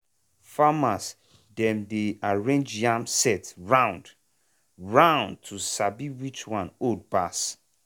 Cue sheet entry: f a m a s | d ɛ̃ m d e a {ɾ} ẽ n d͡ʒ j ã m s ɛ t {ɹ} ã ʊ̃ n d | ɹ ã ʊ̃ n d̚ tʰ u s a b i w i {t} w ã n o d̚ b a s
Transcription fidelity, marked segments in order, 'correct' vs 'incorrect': incorrect, correct, incorrect

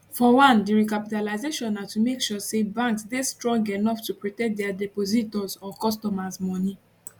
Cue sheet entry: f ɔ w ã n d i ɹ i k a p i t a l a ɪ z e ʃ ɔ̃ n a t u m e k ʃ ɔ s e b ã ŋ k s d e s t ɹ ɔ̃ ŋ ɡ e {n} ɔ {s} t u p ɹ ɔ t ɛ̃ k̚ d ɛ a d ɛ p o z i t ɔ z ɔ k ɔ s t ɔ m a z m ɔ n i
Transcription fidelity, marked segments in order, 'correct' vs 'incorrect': correct, incorrect

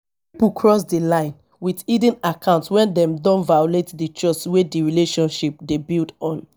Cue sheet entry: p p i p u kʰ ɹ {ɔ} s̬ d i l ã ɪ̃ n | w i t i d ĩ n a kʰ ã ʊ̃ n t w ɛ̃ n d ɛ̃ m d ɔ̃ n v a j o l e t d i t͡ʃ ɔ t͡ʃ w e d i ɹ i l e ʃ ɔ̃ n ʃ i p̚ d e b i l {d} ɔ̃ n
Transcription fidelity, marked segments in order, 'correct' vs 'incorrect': correct, correct

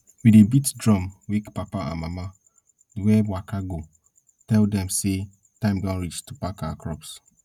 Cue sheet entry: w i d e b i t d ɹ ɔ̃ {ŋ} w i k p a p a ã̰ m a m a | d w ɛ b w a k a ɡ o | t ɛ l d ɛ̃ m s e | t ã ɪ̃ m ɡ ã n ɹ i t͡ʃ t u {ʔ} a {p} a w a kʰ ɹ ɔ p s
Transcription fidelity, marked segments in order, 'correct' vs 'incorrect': incorrect, incorrect, incorrect

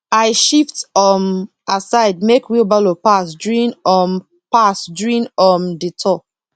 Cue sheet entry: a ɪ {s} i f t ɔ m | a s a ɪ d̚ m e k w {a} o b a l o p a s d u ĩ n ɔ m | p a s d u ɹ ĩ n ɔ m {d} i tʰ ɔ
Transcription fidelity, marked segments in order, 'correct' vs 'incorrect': incorrect, incorrect, correct

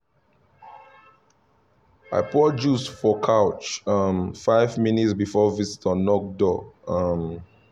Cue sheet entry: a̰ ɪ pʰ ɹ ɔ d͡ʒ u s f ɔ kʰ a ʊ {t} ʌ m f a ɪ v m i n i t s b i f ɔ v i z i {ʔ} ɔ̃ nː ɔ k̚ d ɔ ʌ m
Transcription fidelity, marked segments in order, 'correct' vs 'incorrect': incorrect, incorrect

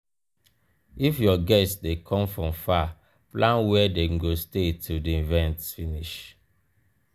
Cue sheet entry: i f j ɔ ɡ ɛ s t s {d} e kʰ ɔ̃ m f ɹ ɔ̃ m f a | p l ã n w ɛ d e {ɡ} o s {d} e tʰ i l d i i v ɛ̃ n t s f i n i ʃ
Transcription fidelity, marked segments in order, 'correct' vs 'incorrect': correct, correct, incorrect

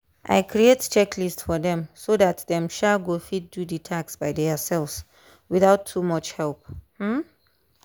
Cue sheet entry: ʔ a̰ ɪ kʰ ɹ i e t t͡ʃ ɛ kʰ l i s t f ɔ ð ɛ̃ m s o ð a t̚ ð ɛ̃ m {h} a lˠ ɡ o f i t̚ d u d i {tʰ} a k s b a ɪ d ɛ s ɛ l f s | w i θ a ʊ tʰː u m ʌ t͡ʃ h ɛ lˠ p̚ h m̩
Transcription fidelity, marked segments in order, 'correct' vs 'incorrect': incorrect, correct

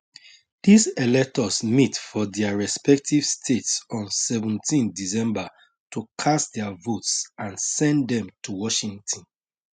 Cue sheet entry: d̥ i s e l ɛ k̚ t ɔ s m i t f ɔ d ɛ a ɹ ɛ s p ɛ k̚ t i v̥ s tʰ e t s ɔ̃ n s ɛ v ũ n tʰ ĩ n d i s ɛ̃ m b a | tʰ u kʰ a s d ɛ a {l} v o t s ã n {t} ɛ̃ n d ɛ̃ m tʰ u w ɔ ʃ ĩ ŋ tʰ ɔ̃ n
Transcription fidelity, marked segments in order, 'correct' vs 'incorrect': incorrect, incorrect

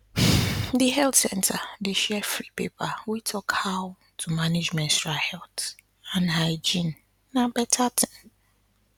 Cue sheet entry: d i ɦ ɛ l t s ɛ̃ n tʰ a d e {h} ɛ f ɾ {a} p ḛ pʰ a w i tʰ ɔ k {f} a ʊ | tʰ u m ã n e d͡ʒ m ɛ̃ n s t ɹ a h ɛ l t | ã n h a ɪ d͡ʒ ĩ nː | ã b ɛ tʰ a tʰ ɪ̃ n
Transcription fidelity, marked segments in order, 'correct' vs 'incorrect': incorrect, incorrect, incorrect

